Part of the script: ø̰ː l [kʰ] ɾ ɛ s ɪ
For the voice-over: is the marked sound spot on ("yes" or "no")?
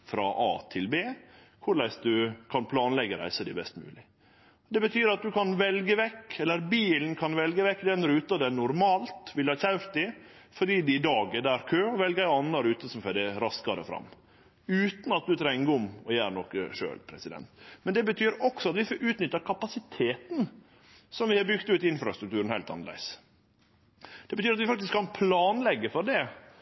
no